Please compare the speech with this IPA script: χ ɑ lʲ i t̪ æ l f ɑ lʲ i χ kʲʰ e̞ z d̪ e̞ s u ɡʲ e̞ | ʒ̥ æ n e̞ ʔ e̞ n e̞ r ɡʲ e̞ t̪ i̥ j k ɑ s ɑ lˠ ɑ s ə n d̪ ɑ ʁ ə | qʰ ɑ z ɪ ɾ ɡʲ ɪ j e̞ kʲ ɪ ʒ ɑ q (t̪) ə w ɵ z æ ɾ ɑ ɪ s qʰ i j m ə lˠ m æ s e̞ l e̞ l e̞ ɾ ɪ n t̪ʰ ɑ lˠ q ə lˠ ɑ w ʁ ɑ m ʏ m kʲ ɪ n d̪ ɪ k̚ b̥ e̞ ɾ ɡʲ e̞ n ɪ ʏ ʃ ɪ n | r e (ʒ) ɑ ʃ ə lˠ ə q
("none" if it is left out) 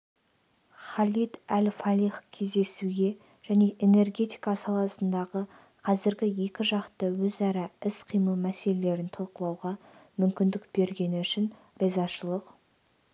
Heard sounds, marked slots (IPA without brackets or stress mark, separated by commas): t̪, z